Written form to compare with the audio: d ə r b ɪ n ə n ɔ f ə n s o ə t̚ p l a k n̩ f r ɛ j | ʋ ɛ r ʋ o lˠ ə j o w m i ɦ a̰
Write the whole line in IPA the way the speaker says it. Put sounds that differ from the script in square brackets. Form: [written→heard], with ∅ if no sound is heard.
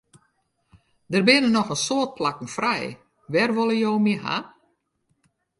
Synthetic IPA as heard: d ə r b ɪ n ə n ɔ [f→x] ə n s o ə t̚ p l a k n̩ f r ɛ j | ʋ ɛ r ʋ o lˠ ə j o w m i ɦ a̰